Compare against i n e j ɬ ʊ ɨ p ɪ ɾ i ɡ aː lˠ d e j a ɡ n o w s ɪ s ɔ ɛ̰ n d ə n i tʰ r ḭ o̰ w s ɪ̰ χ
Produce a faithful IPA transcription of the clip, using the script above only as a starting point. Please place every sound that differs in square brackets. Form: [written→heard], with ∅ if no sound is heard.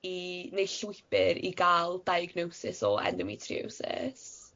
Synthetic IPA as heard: i n e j ɬ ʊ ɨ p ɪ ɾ i ɡ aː lˠ d [e→a] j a ɡ n o w s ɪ s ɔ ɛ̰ n d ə [n→m] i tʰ r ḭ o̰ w s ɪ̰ [χ→s]